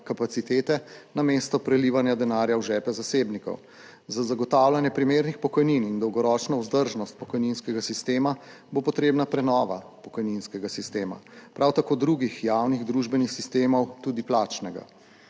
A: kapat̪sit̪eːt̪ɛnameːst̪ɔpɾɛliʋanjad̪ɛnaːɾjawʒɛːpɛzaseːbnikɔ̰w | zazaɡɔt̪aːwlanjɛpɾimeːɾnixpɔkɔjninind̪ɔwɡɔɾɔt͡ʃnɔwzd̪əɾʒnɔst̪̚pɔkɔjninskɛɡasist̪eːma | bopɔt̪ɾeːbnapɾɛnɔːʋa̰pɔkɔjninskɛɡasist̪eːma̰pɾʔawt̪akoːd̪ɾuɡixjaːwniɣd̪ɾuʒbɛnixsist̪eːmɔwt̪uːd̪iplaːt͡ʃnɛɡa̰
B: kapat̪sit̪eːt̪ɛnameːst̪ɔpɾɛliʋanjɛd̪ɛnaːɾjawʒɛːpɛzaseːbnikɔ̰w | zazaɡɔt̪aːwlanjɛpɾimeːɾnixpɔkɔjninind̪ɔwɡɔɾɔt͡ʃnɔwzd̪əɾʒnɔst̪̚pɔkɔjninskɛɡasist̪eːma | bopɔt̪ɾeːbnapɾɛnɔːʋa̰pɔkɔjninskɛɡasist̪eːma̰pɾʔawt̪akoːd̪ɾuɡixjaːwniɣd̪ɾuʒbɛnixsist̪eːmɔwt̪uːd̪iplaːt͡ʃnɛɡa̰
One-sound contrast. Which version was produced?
A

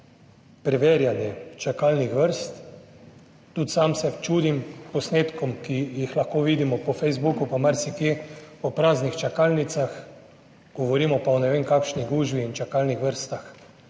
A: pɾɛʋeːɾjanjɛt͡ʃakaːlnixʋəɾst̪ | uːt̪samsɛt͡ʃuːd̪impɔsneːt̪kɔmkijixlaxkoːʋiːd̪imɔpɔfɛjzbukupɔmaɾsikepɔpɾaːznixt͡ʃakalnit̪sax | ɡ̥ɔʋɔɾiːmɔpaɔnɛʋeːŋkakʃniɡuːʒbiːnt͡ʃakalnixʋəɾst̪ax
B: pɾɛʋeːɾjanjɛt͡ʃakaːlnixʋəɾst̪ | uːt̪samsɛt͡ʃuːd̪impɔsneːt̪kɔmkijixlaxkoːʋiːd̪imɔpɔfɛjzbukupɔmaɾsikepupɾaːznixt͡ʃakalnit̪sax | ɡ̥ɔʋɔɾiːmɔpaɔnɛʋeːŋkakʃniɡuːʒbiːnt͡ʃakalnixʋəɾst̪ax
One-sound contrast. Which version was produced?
A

